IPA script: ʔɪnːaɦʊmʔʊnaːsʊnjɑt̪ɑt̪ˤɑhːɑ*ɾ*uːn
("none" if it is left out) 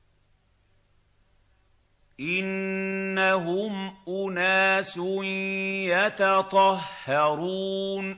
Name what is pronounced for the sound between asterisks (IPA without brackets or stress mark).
ɾ